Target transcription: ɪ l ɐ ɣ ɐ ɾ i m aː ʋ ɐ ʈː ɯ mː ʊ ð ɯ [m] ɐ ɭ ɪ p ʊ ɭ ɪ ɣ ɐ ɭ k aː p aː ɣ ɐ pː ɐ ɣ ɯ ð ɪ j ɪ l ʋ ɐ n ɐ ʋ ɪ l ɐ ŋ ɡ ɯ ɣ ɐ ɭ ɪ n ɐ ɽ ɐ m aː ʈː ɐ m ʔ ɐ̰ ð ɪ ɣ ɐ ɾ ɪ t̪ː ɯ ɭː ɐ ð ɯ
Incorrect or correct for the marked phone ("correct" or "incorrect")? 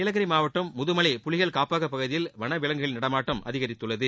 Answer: correct